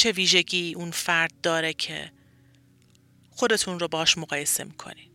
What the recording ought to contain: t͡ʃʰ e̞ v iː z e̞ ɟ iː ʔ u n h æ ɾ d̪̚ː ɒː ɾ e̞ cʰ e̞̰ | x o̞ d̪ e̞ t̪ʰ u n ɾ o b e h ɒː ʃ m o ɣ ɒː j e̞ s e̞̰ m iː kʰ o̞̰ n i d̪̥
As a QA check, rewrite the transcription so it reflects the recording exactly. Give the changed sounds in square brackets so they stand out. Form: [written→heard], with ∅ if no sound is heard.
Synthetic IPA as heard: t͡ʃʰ e̞ v iː [z→ʒ] e̞ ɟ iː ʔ u n [h→f] æ ɾ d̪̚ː ɒː ɾ e̞ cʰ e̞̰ | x o̞ d̪ e̞ t̪ʰ u n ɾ o b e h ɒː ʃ m o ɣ ɒː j e̞ s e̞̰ m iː kʰ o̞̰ n i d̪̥